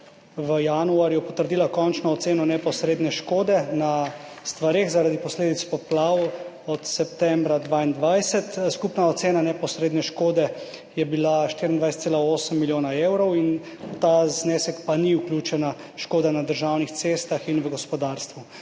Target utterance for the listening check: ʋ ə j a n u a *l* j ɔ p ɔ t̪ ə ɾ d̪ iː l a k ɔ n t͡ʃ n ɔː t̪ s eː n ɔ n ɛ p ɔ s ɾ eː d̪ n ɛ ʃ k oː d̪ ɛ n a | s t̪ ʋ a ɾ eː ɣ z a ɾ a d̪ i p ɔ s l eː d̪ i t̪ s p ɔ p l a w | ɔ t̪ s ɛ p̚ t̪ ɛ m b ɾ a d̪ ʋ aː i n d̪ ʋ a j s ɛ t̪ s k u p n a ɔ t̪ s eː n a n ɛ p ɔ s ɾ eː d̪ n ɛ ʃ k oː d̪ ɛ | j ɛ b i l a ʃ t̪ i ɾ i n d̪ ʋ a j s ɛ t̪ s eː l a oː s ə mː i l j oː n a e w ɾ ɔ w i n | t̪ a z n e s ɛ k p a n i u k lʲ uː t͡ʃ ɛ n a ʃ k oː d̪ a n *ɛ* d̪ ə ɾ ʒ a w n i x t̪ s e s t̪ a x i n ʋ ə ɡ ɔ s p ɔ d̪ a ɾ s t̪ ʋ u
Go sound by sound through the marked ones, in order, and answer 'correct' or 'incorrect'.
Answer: incorrect: ɾ, incorrect: a

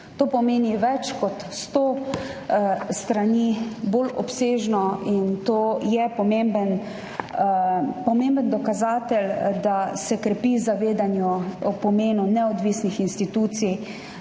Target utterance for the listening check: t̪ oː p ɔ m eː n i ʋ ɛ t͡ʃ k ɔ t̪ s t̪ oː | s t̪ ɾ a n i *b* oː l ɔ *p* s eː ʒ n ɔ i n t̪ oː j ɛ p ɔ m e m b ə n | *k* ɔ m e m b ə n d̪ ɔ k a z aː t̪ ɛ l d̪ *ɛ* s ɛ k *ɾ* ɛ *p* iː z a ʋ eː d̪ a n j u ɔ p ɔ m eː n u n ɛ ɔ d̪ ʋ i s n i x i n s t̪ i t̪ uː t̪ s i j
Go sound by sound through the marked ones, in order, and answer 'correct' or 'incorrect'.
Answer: correct, correct, incorrect: p, incorrect: a, correct, correct

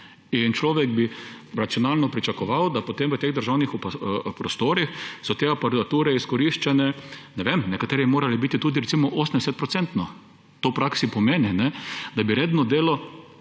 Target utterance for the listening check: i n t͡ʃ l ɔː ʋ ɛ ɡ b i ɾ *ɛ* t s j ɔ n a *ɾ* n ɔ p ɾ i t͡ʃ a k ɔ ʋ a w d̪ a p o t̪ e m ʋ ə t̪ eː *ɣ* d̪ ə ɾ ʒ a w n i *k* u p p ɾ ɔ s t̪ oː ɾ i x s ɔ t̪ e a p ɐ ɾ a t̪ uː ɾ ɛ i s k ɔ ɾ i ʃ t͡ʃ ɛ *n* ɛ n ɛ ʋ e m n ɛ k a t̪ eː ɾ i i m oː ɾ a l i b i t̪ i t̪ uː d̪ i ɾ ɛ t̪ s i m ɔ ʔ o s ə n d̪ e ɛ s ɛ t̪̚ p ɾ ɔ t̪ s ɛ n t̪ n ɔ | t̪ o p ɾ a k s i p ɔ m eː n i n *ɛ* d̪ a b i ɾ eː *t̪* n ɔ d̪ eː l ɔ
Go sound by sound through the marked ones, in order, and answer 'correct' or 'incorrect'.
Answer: incorrect: a, incorrect: l, correct, incorrect: x, correct, correct, incorrect: d̪

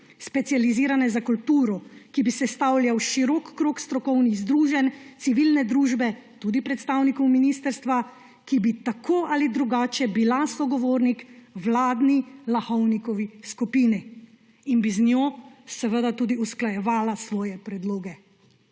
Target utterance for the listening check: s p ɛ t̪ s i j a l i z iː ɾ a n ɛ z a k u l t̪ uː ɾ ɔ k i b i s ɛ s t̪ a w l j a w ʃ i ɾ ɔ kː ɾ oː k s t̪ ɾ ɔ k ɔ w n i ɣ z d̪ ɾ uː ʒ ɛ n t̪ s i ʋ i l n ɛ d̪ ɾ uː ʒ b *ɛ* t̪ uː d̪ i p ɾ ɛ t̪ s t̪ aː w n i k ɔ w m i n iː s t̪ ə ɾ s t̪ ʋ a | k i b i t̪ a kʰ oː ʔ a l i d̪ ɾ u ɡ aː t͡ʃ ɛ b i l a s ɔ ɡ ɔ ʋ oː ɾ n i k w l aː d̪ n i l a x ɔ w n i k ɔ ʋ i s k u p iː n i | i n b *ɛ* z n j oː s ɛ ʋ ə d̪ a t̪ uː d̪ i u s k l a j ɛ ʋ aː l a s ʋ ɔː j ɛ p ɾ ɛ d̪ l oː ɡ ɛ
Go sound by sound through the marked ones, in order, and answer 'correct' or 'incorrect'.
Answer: correct, incorrect: i

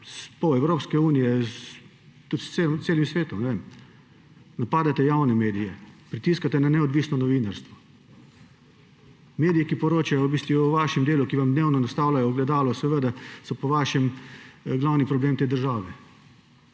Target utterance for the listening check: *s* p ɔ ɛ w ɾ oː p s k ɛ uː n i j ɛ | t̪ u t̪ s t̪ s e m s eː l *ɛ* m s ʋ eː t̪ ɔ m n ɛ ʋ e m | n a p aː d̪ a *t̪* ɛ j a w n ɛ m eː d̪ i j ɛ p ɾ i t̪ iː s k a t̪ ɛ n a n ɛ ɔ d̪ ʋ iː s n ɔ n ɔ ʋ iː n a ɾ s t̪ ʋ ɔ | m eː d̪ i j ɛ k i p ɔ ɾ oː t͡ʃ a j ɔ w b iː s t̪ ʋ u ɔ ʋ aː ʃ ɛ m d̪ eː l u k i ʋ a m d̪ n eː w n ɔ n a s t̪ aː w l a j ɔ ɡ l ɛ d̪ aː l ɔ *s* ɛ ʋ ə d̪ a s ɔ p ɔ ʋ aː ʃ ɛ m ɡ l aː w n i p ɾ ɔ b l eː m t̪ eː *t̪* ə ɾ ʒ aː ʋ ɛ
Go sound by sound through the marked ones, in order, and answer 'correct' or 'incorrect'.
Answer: correct, incorrect: i, correct, correct, incorrect: d̪

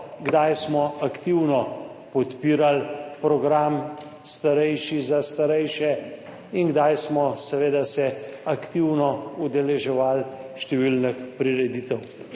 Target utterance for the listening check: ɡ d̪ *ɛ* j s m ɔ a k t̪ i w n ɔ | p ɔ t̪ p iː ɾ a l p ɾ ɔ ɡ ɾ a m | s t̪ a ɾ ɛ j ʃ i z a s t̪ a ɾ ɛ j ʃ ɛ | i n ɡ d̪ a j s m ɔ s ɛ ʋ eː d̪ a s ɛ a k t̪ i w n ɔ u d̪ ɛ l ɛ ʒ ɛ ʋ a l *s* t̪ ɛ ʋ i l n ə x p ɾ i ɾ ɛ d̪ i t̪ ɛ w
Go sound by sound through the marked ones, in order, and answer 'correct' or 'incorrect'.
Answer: incorrect: a, incorrect: ʃ

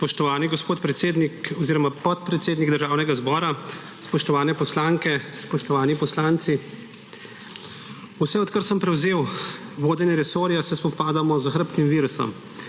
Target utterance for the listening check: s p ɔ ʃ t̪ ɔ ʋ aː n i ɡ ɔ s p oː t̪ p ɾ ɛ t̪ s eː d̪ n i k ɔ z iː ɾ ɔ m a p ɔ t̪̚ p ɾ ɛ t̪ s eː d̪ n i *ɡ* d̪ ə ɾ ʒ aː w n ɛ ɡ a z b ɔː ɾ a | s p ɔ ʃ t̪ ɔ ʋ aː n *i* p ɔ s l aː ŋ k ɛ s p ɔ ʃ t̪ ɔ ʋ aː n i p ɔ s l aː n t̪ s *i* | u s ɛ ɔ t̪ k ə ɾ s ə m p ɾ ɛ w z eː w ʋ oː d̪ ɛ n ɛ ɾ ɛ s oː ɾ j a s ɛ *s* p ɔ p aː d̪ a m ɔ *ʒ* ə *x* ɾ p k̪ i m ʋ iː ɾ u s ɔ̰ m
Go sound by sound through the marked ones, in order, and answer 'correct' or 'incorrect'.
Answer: correct, incorrect: ɛ, correct, correct, incorrect: z, correct

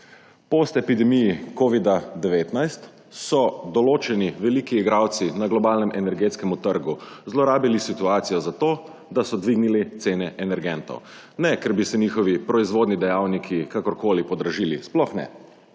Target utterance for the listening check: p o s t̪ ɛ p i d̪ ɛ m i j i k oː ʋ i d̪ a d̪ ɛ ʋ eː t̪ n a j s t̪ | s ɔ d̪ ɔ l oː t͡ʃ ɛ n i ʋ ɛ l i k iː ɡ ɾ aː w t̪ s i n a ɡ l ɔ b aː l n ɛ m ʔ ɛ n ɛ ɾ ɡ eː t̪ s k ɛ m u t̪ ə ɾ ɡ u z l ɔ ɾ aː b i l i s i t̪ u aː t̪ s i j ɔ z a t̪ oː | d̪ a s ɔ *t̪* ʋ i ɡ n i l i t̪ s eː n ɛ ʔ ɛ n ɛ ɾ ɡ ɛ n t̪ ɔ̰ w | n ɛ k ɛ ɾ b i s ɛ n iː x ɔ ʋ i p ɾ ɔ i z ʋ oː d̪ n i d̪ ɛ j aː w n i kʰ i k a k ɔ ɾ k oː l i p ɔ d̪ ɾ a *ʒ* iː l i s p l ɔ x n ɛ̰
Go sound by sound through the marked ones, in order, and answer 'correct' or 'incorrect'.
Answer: incorrect: d̪, correct

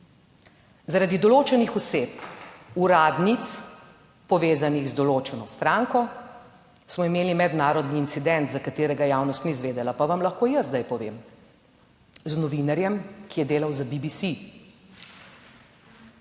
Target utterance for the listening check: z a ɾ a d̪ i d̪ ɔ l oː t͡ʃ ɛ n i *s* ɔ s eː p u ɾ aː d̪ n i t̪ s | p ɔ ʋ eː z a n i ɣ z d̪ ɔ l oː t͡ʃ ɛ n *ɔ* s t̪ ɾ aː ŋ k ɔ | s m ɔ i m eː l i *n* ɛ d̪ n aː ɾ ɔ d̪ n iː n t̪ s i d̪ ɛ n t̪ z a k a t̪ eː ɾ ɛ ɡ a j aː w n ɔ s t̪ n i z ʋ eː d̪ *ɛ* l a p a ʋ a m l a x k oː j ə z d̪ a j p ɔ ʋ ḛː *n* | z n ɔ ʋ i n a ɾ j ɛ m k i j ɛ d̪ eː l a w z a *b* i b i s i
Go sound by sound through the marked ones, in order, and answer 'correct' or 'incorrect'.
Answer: incorrect: x, correct, incorrect: m, correct, incorrect: m, correct

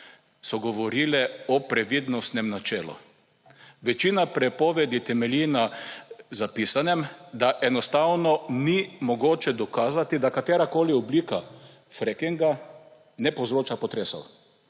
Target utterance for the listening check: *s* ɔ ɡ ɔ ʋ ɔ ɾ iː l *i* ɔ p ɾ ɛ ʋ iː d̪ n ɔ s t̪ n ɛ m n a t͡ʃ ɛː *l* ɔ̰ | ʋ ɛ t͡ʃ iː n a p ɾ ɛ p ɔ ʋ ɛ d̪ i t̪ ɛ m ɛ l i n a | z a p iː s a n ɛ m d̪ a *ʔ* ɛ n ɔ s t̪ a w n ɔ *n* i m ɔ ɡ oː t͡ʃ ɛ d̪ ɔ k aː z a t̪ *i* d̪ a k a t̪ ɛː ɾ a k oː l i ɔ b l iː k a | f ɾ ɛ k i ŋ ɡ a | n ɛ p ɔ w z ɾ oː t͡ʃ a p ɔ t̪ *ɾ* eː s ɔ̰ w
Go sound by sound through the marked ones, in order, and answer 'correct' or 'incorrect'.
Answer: correct, incorrect: ɛ, correct, correct, correct, correct, correct

